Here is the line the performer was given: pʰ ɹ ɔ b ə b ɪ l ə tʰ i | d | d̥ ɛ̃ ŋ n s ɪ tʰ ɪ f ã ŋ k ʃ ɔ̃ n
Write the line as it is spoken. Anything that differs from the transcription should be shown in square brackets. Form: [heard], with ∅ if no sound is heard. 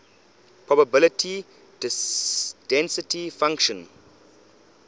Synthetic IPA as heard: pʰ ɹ ɔ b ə b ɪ l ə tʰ i | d | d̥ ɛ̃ [∅] n s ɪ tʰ [i] f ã ŋ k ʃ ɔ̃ n